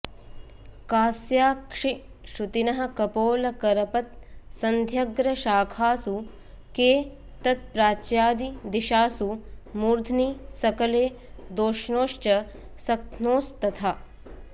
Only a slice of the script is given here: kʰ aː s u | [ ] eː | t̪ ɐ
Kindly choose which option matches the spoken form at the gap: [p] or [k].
k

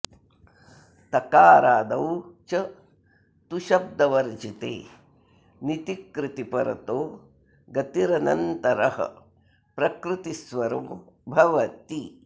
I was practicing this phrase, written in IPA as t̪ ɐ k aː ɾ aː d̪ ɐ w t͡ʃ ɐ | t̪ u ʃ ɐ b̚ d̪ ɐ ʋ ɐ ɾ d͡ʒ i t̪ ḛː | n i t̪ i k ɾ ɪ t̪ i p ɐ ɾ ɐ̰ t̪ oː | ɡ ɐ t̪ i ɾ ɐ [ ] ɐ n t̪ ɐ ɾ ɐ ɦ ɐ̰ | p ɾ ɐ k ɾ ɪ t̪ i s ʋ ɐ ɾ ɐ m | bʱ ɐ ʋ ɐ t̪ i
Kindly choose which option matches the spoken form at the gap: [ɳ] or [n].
n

